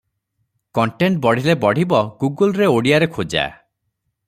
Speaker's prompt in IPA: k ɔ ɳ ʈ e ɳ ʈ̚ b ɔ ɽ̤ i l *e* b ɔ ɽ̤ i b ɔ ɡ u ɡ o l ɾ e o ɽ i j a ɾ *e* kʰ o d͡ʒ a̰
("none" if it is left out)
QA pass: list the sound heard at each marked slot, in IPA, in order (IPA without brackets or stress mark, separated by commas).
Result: e, e